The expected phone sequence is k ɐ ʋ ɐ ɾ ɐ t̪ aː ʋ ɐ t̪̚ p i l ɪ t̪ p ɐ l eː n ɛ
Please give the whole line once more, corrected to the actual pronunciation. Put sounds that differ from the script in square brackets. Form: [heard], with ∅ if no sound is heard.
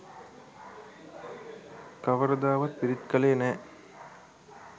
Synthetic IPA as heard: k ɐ ʋ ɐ ɾ ɐ [d̪] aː ʋ ɐ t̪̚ p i [ɾ] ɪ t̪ [k] ɐ l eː n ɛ